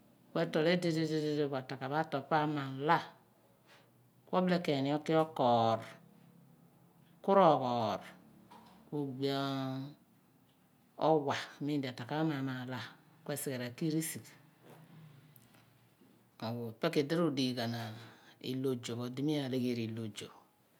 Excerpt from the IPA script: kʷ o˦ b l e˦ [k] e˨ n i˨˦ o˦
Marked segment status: correct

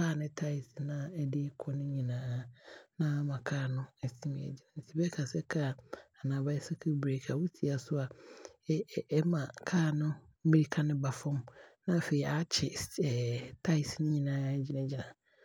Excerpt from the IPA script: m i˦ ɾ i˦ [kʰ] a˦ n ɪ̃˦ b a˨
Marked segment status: correct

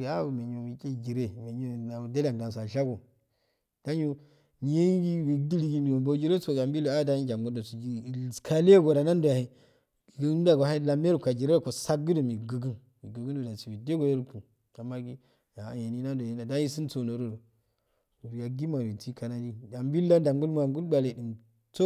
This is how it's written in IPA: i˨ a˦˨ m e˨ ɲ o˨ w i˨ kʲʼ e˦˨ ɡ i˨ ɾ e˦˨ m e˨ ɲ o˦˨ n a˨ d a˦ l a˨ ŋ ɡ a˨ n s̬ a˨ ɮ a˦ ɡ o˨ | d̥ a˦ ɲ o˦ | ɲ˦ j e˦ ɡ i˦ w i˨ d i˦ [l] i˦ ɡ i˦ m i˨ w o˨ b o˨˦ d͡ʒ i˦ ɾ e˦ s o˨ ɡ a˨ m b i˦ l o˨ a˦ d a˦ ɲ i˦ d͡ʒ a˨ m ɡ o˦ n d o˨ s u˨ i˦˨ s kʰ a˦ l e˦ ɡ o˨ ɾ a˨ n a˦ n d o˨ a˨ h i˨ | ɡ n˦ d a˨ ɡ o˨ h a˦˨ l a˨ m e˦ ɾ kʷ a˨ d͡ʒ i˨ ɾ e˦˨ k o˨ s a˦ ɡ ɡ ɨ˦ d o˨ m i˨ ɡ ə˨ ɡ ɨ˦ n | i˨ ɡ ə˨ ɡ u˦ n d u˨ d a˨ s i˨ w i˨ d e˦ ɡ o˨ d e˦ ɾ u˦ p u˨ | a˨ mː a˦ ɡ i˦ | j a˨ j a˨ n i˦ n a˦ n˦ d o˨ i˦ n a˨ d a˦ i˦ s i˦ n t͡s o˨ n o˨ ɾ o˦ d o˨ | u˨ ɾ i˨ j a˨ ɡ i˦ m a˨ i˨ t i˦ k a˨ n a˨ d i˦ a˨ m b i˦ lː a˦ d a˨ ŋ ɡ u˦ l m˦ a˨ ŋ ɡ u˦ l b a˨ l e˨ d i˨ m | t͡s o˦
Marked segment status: correct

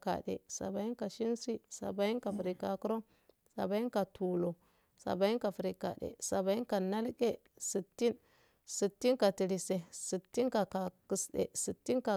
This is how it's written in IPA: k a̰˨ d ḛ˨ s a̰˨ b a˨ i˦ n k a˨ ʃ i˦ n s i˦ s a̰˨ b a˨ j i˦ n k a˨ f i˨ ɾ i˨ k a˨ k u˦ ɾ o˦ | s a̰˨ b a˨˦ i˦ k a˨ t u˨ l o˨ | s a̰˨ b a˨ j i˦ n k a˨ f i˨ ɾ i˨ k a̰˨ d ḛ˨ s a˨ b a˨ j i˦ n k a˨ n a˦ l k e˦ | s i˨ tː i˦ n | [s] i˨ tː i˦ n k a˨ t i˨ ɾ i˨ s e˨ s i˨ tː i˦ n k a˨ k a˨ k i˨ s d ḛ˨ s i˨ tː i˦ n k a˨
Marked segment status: correct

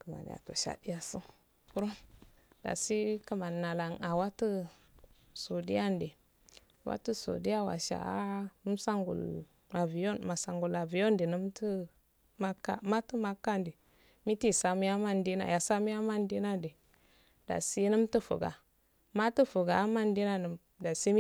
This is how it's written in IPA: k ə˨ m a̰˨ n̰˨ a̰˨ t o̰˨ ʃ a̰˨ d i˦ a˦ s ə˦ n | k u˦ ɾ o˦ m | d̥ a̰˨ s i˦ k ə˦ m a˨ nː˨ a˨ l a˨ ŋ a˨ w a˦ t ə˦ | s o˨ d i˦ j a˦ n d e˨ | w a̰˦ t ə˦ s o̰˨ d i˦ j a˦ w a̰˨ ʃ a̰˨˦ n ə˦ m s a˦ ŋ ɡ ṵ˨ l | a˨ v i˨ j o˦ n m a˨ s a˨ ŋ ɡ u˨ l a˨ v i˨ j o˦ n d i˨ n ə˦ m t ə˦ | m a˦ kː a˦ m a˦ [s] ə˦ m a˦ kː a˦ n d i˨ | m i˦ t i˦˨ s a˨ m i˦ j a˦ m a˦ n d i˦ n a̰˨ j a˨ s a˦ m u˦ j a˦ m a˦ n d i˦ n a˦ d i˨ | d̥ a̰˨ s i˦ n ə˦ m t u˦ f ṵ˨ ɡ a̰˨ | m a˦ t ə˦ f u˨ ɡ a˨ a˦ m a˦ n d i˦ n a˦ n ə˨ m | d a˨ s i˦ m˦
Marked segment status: incorrect: t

